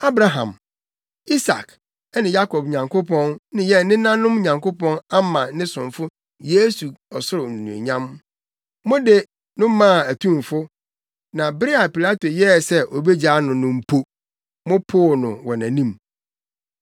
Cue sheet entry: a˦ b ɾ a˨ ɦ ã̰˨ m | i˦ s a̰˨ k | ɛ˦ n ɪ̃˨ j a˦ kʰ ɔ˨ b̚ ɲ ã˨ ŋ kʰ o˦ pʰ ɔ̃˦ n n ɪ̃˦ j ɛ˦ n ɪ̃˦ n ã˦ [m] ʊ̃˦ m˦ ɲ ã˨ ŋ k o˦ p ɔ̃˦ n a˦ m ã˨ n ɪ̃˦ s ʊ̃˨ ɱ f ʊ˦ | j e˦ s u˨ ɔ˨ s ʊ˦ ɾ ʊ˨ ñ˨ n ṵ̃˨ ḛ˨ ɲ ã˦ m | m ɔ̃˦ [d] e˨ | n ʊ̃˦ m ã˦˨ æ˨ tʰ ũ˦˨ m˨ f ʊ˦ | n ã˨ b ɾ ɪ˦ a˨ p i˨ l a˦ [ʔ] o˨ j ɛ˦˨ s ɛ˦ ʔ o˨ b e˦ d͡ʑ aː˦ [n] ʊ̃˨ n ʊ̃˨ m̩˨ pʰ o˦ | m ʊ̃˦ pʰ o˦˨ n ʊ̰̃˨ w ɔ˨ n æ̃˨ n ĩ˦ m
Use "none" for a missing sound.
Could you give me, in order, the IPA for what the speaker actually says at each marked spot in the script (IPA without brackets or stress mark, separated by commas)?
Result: n, d, t, n